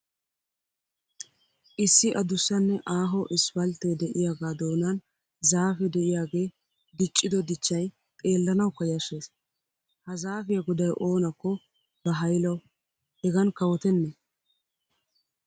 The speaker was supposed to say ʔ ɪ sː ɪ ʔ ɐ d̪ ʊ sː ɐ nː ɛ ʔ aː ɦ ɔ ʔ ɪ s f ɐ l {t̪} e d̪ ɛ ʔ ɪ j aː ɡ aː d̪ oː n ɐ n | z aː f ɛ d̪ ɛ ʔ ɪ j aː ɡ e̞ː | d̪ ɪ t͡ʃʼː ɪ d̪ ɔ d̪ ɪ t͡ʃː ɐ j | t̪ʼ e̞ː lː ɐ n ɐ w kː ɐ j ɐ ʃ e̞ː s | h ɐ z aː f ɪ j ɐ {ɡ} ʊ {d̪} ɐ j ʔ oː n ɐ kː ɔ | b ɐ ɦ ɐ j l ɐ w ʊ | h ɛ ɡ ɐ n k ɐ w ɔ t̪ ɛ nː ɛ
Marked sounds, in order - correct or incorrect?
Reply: correct, correct, correct

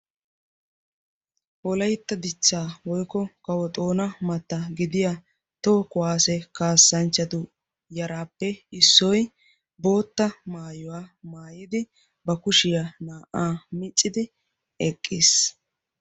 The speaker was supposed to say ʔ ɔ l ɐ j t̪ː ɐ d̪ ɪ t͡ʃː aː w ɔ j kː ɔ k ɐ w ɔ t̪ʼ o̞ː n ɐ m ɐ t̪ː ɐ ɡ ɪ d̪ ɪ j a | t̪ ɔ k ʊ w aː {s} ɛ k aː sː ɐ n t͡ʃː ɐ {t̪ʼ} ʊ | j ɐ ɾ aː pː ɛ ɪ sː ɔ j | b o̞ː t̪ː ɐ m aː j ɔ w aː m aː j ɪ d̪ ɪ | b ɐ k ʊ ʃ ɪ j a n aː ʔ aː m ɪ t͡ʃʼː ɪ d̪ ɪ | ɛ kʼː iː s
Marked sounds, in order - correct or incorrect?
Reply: correct, incorrect: t̪

